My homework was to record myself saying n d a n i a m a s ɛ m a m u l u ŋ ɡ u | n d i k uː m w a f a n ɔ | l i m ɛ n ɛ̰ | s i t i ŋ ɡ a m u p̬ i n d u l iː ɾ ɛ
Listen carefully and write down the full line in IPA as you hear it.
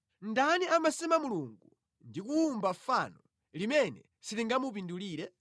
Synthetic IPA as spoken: n d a n i a m a s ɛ m a m u l u ŋ ɡ u | n d i k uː m b a f a n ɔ | l i m ɛ n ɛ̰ | s i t i ŋ ɡ a m u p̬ i n d u l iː ɾ ɛ